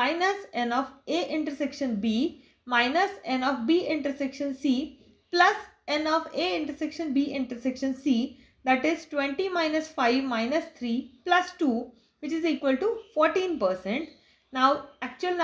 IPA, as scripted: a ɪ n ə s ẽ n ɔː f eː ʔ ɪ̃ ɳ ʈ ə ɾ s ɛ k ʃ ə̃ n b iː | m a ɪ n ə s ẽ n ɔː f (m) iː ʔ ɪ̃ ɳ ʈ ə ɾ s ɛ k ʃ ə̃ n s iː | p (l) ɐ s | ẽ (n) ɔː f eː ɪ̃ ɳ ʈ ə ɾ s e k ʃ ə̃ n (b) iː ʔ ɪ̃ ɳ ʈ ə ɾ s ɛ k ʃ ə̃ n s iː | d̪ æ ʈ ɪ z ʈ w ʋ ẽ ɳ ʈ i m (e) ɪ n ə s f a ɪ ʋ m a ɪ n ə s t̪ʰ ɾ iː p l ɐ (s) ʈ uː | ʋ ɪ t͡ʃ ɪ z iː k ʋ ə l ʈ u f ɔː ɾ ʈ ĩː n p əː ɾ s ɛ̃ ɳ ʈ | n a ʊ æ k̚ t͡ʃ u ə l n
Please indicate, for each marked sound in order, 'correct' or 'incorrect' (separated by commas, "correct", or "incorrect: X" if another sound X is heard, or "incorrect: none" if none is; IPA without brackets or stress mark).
incorrect: b, correct, correct, correct, incorrect: a, correct